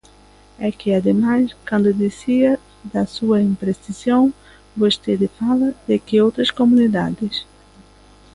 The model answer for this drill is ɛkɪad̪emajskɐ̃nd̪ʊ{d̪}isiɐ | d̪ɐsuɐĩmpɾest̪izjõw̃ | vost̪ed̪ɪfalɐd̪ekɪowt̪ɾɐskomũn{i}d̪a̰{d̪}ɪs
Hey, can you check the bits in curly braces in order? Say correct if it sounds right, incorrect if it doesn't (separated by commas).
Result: correct, correct, correct